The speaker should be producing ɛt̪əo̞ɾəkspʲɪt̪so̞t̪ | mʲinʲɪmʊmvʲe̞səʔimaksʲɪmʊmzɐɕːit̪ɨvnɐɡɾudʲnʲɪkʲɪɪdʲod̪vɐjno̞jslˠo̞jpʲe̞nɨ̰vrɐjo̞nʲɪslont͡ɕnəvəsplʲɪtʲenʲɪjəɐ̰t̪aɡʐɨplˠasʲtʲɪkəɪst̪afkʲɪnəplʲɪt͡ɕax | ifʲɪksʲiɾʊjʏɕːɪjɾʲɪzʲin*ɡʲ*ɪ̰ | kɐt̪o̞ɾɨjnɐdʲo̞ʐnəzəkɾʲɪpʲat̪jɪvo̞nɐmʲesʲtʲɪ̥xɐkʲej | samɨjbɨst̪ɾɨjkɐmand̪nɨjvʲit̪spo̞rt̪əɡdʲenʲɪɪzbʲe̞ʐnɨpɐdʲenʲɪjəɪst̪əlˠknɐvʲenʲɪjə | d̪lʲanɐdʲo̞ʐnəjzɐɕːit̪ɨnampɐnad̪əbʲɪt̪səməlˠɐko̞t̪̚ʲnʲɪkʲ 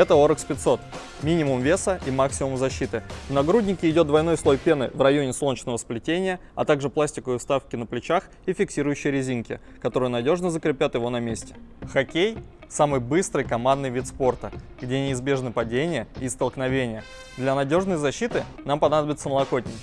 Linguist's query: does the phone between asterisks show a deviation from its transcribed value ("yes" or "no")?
yes